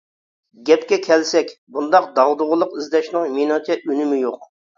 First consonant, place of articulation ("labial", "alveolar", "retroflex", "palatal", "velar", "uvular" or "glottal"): velar